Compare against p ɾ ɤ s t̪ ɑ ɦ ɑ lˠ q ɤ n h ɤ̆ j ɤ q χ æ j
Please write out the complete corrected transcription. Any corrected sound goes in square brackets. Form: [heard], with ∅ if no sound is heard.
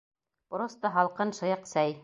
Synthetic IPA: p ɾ [o] s t̪ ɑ ɦ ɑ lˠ q ɤ n [ʃ] ɤ̆ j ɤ q [s] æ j